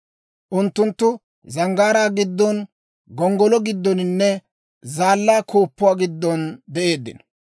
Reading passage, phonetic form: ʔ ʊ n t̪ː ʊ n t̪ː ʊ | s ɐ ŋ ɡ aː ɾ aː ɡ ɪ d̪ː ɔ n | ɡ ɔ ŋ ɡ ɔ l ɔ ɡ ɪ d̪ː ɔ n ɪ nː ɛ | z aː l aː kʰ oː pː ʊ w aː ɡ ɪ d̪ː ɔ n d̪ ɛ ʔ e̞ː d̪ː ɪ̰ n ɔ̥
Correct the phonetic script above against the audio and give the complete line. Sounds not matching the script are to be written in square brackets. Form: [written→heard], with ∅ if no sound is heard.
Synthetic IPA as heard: ʔ ʊ n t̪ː ʊ n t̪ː ʊ | [s→z] ɐ ŋ ɡ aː ɾ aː ɡ ɪ d̪ː ɔ n | ɡ ɔ ŋ ɡ ɔ l ɔ ɡ ɪ d̪ː ɔ n ɪ nː ɛ | z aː [l→lː] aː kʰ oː pː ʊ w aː ɡ ɪ d̪ː ɔ n d̪ ɛ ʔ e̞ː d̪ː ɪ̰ n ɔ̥